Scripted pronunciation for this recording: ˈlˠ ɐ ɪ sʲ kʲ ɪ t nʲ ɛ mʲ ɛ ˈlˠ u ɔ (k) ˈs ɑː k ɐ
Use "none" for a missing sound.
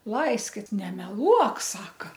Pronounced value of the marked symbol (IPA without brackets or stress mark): k